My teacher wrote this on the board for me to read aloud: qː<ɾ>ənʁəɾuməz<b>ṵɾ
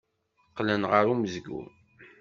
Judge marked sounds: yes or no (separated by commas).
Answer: no, no